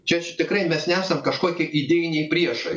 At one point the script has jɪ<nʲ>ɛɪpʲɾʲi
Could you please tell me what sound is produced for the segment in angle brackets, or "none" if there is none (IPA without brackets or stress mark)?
nʲ